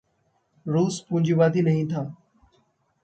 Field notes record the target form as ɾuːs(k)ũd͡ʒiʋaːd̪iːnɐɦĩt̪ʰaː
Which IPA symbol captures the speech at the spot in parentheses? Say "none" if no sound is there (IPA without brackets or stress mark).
p